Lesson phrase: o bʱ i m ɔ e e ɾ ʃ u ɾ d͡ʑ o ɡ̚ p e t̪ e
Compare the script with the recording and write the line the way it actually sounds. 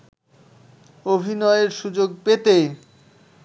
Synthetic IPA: o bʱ i n ɔ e e ɾ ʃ u d͡ʑ o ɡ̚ p e t̪ e